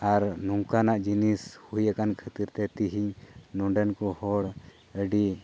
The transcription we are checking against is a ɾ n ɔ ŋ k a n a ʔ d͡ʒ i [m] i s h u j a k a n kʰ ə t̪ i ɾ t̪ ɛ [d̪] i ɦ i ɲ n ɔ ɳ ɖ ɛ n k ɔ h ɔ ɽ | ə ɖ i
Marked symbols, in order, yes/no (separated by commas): no, no